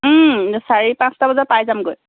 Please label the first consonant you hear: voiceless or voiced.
voiceless